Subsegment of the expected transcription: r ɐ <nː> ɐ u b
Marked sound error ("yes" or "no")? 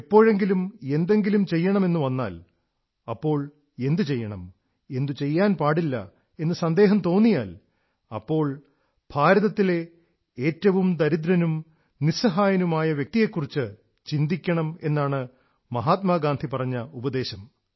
yes